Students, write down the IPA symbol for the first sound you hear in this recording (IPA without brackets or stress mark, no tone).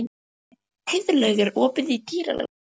h